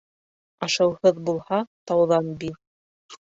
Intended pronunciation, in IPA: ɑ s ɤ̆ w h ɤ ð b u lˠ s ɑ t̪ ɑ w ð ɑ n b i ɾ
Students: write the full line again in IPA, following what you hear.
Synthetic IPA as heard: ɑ ʃ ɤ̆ w h ɤ ð b u lˠ h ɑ t̪ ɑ w ð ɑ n b i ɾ